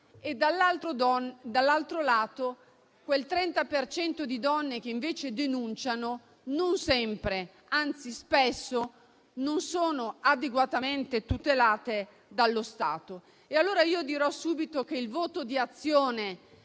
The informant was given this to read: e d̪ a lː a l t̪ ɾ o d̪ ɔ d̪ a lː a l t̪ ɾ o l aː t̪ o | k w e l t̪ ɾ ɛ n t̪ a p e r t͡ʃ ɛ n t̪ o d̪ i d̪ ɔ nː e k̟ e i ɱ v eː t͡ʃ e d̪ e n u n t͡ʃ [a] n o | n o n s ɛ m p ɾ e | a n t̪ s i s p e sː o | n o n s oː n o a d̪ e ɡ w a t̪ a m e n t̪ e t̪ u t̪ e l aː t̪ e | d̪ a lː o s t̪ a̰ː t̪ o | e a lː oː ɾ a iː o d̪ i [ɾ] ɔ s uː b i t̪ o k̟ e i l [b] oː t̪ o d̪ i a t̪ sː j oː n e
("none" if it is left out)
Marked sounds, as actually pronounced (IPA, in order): a, ɾ, v

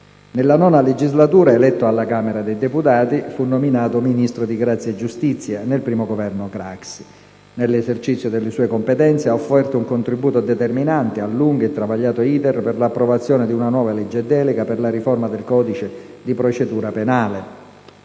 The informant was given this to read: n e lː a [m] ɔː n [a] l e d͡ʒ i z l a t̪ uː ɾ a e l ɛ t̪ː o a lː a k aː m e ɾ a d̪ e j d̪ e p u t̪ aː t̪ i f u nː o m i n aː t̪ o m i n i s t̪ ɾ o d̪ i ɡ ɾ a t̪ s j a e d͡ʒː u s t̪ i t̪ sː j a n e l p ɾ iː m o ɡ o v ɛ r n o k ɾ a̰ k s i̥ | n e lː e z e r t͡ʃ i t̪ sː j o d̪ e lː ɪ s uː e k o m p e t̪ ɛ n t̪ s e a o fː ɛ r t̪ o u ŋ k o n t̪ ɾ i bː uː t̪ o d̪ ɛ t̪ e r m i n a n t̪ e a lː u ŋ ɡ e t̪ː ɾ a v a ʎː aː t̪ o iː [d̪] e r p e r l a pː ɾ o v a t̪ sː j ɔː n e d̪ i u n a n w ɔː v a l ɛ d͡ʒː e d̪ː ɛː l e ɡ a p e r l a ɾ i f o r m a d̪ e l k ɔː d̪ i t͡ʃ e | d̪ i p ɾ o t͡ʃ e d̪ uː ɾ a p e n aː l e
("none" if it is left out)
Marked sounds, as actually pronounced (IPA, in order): n, a, t̪

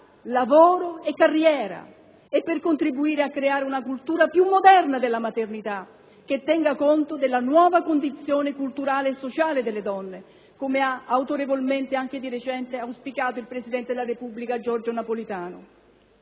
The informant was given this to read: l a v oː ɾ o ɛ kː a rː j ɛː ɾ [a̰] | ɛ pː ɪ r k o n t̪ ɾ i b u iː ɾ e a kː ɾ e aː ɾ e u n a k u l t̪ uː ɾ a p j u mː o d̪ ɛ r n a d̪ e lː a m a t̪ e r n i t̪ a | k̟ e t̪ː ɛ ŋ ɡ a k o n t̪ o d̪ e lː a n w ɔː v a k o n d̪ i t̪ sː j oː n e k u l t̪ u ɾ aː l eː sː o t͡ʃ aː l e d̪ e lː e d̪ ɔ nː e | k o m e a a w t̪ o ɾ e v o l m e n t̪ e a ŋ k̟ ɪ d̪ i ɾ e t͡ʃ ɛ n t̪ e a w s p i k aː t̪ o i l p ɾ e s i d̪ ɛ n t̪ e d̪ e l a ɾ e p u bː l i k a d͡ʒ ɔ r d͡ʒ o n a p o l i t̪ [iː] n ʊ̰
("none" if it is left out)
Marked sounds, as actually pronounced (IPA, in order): a̰, aː

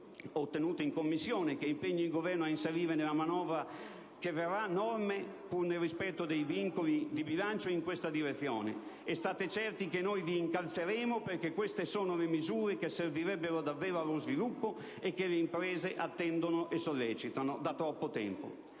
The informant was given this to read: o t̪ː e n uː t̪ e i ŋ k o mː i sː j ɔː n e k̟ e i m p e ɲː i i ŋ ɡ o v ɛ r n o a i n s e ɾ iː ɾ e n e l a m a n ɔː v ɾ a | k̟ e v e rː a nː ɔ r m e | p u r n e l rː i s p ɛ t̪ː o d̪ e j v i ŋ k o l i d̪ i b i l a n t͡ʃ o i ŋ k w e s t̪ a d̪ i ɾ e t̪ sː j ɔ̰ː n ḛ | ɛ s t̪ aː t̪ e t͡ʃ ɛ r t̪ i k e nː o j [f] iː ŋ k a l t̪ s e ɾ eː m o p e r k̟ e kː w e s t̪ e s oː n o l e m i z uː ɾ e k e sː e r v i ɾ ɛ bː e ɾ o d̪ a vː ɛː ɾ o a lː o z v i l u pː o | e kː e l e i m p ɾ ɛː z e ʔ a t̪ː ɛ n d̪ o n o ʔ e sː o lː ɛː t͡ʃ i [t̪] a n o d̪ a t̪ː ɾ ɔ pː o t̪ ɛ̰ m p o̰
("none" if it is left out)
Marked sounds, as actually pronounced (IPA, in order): v, t̪

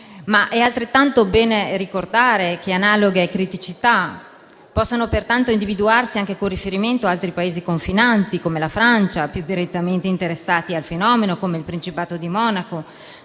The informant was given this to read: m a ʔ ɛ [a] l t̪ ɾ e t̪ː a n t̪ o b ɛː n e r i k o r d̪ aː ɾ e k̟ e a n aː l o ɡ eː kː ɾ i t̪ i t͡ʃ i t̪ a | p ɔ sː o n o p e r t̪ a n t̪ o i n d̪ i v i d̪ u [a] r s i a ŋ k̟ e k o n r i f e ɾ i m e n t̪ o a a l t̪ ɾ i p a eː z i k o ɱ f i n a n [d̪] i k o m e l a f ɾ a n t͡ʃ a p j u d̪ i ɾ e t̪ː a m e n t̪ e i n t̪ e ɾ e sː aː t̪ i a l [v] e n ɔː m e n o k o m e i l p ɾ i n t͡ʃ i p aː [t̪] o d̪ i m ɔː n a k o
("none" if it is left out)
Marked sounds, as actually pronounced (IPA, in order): a, a, t̪, f, t̪

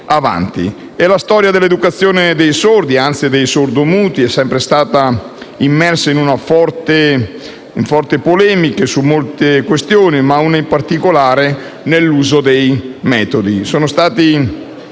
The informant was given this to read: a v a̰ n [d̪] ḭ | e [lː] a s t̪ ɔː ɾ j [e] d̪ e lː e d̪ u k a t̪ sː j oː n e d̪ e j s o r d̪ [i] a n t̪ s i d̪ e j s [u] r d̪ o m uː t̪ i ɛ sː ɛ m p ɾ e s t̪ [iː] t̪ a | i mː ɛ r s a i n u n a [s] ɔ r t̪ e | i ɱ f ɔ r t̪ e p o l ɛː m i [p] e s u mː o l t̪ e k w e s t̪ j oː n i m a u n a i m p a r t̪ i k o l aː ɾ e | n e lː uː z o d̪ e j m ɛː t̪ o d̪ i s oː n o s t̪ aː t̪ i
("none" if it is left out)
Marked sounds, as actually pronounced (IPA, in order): t̪, l, a, i, o, aː, f, k

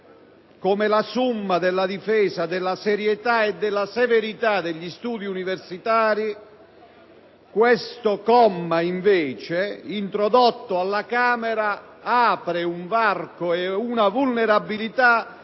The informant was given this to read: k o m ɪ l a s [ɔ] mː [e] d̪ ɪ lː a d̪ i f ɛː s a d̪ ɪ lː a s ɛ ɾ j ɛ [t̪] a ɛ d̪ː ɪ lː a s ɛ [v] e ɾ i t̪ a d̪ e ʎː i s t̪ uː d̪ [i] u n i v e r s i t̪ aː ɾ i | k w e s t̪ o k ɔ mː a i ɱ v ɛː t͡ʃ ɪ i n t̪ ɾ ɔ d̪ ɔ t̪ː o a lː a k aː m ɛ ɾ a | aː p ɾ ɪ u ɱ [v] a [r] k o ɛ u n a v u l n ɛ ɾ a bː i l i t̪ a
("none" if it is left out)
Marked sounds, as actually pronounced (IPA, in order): u, a, t̪, v, i, v, r

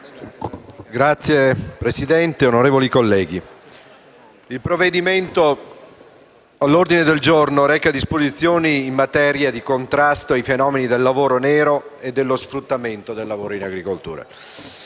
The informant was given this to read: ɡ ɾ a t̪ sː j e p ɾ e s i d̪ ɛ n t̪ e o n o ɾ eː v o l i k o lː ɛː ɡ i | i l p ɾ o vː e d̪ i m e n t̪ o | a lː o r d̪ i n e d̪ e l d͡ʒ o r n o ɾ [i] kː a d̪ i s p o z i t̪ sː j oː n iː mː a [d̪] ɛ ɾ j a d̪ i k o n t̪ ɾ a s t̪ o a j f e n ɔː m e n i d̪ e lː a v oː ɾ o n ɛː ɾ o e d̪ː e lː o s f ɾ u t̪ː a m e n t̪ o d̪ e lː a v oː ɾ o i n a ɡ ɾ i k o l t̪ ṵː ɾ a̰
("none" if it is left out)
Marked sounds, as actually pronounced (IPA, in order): ɛ, t̪

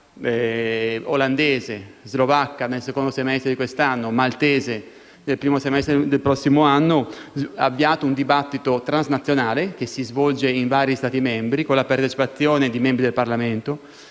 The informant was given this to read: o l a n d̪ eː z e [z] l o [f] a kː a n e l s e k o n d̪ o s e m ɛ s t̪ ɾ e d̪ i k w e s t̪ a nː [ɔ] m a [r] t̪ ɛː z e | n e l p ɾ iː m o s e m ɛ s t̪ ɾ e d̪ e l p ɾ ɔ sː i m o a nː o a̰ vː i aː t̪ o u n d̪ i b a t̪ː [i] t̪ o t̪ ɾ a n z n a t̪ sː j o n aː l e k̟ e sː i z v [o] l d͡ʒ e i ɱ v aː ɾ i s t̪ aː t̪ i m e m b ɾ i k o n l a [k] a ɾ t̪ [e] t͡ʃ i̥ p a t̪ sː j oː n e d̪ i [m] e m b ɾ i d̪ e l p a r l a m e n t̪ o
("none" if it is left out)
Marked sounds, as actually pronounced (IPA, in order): z, v, o, l, i, ɔ, p, e, m

